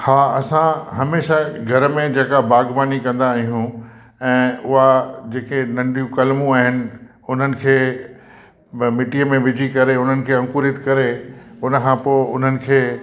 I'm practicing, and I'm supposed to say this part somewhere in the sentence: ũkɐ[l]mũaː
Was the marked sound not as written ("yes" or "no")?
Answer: no